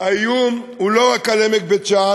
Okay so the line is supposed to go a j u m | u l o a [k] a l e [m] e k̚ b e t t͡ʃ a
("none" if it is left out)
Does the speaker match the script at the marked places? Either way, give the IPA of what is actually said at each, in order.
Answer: k, m

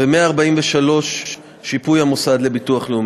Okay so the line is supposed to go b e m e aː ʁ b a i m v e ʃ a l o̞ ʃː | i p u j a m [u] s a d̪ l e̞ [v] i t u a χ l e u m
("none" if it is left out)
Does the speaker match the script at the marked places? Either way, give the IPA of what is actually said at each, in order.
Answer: o, b

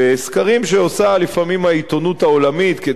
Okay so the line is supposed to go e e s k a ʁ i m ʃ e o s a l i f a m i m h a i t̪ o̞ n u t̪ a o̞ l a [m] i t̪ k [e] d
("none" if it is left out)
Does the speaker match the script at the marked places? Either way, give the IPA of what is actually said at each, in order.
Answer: m, e

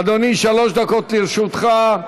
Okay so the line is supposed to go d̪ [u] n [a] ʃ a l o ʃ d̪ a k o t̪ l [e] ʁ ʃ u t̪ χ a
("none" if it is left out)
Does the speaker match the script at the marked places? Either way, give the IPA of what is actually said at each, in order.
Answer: o, i, i

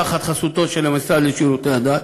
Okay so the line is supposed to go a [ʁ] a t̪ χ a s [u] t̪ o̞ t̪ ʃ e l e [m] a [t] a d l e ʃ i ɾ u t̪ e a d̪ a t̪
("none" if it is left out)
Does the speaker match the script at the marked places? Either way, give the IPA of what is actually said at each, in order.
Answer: χ, u, m, s

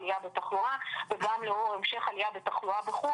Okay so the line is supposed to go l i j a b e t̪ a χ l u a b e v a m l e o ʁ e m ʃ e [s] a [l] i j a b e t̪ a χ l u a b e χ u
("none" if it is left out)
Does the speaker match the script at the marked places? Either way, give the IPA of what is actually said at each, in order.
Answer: χ, l

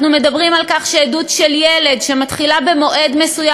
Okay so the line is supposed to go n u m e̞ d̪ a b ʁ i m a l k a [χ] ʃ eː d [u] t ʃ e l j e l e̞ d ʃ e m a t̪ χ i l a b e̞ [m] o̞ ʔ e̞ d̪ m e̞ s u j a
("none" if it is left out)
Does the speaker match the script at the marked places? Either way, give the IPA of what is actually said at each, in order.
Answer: χ, u, m

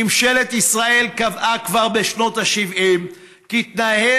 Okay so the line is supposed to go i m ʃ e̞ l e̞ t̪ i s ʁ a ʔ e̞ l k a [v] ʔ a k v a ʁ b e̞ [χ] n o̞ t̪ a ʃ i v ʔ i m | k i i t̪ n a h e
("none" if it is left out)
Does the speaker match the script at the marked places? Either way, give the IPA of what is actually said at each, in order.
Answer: v, ʃ

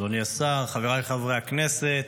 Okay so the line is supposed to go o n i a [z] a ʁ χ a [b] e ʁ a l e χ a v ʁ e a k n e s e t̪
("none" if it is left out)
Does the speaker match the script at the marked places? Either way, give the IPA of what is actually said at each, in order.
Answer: s, v

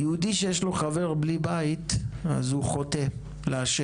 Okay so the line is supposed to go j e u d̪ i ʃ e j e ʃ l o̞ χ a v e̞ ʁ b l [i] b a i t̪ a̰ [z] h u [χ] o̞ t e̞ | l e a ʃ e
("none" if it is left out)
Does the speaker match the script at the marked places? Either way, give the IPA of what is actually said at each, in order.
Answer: i, z, χ

